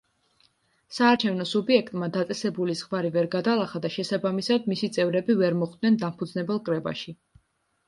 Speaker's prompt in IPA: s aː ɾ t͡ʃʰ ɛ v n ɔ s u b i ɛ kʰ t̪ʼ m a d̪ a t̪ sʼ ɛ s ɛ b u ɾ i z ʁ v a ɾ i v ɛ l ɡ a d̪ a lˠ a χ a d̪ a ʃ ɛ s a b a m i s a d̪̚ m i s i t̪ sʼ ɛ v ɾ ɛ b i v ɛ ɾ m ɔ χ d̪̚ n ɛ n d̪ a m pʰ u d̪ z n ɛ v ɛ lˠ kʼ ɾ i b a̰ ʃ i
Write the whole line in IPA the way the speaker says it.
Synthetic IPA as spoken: s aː ɾ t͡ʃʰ ɛ v n ɔ s u b i ɛ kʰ t̪ʼ m a d̪ a t̪ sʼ ɛ s ɛ b u l i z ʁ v a ɾ i v ɛ ɾ ɡ a d̪ a lˠ a χ a d̪ a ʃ ɛ s a b a m i s a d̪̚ m i s i t̪ sʼ ɛ v ɾ ɛ b i v ɛ ɾ m ɔ χ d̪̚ n ɛ n d̪ a m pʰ u d̪ z n ɛ b ɛ lˠ kʼ ɾ ɛ b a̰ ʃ i